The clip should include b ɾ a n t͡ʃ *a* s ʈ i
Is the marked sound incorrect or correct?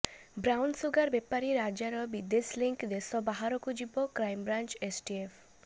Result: incorrect